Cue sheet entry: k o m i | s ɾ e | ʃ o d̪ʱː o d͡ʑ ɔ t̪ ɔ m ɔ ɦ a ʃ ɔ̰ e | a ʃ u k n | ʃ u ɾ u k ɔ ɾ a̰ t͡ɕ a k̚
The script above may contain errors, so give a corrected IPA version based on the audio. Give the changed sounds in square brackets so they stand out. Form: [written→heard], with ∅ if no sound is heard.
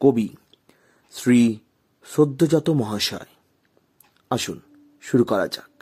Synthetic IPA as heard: k o [m→b] i | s ɾ [e→i] | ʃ o d̪ʱː o d͡ʑ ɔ t̪ [ɔ→o] m ɔ ɦ a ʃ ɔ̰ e | a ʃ u [k→∅] n | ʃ u ɾ u k ɔ ɾ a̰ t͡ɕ a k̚